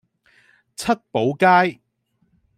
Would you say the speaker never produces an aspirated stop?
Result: no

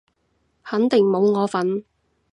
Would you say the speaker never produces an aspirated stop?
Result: yes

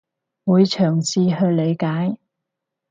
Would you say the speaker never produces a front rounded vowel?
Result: no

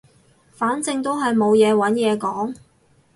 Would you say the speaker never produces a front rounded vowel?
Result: yes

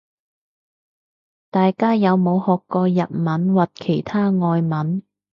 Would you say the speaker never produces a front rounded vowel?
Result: yes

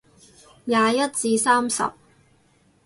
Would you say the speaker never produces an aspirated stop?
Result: yes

